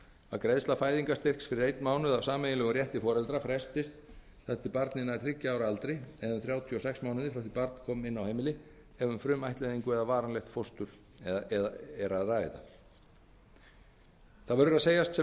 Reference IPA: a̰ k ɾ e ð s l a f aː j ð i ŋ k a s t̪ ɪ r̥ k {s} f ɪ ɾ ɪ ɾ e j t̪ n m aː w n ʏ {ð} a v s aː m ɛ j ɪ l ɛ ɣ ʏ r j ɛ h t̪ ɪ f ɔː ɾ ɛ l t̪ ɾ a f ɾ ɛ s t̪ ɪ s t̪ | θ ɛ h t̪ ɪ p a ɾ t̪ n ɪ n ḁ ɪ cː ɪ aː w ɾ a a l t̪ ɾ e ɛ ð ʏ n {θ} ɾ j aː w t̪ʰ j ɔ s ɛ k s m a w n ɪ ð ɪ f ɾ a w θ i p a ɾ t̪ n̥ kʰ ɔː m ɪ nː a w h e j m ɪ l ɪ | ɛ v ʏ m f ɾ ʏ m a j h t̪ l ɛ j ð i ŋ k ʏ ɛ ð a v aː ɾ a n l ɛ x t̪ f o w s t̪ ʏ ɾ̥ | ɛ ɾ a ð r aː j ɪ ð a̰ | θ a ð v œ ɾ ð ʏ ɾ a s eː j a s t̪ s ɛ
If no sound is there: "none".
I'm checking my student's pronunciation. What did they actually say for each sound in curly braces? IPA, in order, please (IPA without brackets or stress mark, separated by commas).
s, ð, θ